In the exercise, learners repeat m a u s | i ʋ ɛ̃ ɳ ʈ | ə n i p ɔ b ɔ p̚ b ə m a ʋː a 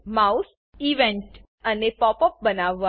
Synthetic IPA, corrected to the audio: m a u s | i ʋ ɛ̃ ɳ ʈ | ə n e p ɔ p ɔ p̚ b ə n a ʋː a